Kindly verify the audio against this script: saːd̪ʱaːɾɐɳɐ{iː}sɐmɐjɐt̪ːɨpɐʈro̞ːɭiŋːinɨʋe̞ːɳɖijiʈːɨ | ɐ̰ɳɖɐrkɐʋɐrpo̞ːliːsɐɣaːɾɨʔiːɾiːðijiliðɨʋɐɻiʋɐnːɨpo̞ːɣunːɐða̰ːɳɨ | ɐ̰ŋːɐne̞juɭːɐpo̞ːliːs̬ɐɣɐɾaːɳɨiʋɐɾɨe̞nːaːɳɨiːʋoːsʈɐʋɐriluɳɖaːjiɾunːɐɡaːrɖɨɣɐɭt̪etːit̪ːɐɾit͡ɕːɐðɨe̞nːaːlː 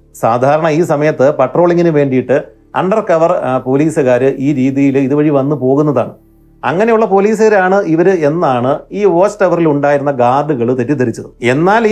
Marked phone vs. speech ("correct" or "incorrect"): correct